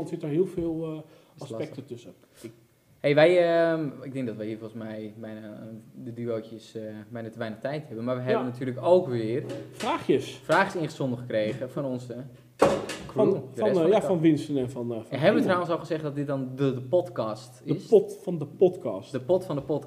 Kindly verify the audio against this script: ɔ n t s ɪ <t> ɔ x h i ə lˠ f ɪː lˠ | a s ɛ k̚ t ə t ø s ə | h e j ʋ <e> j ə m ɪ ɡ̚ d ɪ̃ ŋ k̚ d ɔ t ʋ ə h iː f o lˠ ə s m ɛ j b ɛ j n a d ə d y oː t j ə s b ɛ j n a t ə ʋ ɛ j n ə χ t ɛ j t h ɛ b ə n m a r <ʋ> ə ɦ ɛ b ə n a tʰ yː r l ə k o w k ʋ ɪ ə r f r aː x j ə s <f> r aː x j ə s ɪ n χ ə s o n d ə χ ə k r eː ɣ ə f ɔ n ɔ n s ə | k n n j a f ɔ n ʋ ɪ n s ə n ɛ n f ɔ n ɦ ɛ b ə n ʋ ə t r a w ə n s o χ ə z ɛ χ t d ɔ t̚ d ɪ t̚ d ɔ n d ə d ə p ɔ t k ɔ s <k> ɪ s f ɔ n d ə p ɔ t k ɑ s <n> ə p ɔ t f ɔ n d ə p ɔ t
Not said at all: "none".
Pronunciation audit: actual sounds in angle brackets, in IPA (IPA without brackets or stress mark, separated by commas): t, ɛ, ʋ, f, t, d